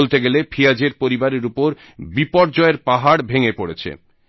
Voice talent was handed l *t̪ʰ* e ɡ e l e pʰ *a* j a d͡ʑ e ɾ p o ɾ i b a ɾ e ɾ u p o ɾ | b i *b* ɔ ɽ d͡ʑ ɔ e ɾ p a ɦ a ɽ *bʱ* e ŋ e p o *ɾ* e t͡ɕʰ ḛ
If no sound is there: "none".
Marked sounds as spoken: t̪, i, p, bʱ, ɽ

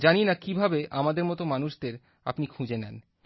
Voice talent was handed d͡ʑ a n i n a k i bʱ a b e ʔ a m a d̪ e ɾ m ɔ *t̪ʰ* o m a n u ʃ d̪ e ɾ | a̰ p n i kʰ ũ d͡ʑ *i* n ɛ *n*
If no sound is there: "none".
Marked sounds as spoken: t̪, e, n

